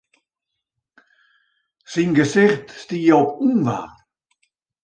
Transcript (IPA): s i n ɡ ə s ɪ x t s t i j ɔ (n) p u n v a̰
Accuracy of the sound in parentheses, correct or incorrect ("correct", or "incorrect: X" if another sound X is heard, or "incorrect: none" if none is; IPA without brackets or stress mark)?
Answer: incorrect: none